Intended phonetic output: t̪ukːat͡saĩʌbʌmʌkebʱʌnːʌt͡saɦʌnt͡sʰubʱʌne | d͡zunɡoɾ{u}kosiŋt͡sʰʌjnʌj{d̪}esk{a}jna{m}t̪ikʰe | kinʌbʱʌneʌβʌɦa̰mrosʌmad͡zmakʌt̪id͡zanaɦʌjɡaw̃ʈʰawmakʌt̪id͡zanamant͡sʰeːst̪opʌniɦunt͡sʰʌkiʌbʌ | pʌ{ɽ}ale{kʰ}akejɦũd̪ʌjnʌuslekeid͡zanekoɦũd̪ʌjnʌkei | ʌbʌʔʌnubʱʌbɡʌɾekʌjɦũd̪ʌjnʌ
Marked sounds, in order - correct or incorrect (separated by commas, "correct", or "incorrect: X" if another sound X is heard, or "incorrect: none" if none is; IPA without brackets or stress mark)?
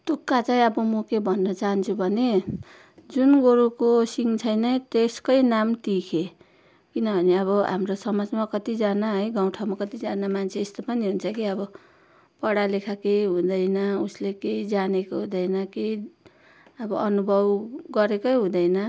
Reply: correct, incorrect: t̪, incorrect: ʌ, correct, correct, correct